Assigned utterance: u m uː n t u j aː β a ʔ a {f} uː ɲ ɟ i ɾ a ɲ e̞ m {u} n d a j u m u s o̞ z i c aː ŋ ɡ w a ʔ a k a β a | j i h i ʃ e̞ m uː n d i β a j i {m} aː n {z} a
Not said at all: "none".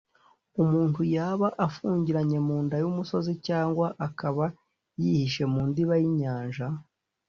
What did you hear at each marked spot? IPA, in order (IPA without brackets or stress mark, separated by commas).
f, uː, ɲ, ʒ